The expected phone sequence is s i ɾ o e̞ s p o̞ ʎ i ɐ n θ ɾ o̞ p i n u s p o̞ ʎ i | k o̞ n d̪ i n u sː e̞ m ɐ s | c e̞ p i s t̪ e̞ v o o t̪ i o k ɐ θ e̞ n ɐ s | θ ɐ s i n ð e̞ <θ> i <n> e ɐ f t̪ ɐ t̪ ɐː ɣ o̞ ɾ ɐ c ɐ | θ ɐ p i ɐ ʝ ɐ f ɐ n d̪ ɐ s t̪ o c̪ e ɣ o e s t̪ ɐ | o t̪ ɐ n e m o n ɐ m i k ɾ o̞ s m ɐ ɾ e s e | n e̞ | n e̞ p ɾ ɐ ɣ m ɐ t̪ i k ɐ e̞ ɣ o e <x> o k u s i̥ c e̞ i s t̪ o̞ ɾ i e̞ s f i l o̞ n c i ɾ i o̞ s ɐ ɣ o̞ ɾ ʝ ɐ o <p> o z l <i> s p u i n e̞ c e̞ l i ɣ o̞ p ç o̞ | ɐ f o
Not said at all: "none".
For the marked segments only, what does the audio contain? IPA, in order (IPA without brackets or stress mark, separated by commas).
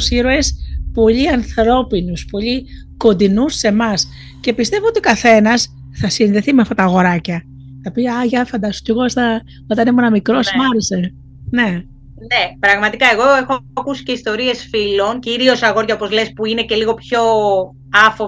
θ, m, x, p, e